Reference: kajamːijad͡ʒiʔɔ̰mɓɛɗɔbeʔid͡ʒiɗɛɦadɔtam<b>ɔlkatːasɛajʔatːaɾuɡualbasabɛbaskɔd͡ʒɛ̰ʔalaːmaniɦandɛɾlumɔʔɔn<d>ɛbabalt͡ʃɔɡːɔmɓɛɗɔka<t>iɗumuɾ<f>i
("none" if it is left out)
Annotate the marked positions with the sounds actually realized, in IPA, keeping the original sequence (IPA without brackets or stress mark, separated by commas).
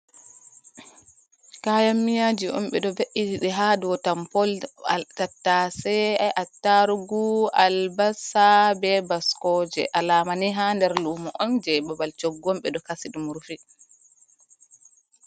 p, d͡ʒ, s, f